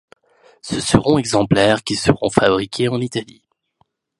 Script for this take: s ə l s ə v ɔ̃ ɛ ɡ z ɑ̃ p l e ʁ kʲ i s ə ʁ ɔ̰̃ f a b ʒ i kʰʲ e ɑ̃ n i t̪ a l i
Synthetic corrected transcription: s ə s ə ʁ ɔ̃ ɛ ɡ z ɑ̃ p l ɛ ʁ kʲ i s ə ʁ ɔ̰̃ f a b ʁ i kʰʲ e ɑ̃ n i t̪ a l i